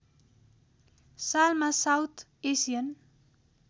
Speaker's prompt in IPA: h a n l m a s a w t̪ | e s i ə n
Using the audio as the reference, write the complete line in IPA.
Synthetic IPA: s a l m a s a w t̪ | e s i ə n